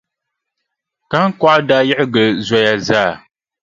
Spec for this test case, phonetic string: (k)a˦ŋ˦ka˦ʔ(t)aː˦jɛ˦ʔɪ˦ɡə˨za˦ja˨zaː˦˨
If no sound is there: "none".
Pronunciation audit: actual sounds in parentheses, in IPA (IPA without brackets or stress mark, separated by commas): k, d